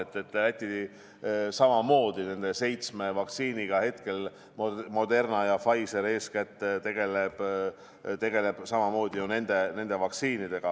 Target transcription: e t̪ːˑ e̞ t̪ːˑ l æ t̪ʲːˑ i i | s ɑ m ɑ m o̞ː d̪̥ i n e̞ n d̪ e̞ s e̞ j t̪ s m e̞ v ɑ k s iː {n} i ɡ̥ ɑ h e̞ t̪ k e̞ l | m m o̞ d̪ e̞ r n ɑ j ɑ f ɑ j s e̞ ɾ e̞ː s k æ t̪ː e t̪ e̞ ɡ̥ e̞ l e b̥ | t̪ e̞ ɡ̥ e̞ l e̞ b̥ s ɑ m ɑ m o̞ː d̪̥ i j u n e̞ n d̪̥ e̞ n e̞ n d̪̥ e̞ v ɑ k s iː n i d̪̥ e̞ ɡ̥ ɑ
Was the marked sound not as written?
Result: no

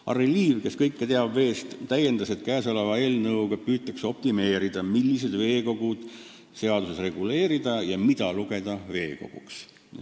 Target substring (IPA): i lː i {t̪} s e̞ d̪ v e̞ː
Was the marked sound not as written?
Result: yes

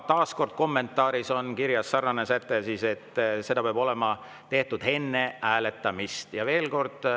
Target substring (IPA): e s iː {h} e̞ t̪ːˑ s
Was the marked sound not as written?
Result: yes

